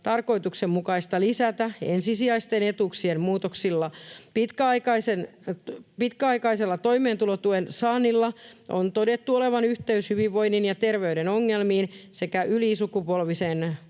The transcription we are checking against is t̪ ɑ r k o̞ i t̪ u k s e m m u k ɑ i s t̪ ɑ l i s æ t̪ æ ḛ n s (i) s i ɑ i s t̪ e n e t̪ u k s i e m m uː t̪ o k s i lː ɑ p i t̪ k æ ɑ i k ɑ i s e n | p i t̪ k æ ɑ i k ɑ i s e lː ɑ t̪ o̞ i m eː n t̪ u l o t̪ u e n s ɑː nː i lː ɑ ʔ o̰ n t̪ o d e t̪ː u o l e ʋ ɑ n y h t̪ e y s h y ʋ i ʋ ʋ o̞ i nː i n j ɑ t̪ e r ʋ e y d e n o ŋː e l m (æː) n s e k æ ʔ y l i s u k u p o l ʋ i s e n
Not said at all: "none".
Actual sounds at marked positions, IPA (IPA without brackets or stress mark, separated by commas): i, iː